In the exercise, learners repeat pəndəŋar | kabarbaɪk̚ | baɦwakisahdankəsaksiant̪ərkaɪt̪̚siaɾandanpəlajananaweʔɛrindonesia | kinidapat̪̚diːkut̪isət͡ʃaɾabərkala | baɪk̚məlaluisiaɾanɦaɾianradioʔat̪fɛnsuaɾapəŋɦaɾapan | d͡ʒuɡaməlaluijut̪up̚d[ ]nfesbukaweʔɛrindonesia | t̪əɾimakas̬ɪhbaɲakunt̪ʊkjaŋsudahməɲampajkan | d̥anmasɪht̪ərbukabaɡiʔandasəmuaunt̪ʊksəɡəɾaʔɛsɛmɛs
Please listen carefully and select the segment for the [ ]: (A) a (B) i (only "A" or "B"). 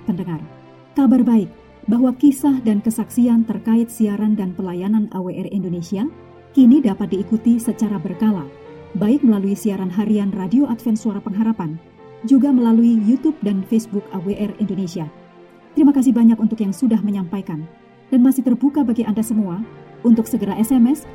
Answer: A